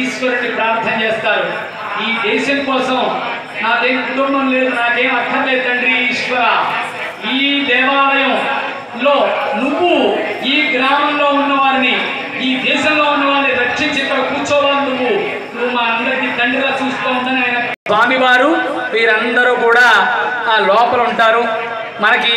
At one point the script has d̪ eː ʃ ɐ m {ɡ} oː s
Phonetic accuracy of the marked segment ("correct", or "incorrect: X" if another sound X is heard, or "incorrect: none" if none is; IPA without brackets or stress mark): incorrect: k